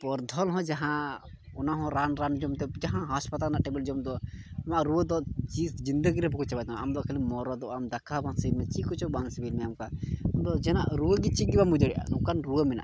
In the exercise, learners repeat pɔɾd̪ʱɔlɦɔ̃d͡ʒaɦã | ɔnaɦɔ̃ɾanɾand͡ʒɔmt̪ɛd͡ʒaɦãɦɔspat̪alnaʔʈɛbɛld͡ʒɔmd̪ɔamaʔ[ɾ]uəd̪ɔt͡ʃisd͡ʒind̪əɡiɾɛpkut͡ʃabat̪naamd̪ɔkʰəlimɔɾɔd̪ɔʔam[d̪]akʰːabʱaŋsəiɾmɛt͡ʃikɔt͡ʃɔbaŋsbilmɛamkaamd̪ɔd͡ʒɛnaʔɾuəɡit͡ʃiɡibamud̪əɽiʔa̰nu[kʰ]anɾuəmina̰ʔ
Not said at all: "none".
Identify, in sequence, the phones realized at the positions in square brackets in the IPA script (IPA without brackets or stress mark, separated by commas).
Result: ɾ, d̪, k